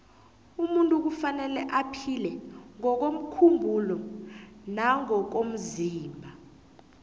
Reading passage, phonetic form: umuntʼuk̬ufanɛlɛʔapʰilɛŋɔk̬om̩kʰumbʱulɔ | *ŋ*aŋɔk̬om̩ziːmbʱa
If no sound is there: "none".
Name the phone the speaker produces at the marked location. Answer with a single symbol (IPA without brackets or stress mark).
n